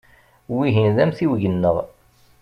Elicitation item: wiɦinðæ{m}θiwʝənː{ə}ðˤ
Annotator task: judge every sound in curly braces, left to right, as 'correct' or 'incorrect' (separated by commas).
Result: correct, correct